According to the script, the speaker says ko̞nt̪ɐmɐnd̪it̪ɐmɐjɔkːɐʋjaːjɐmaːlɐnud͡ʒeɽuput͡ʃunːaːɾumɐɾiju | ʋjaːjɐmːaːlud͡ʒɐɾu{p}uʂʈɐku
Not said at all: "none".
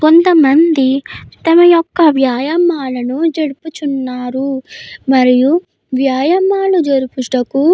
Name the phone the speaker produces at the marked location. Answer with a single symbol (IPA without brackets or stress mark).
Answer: p